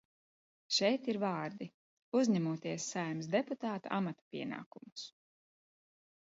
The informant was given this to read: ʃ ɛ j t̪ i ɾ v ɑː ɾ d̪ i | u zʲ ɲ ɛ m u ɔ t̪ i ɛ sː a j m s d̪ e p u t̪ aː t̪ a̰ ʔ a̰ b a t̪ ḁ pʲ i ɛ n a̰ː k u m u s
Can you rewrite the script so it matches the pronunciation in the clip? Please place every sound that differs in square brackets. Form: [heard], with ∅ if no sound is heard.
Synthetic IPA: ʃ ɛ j t̪ i ɾ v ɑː ɾ d̪ i | u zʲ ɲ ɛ m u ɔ t̪ i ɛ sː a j m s d̪ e p u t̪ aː t̪ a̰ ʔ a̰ [m] a t̪ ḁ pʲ i ɛ n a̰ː k u m u s